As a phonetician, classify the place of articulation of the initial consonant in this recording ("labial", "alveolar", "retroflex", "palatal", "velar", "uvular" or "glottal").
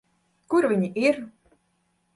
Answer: velar